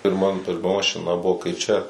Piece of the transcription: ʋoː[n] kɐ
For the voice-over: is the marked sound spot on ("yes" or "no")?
no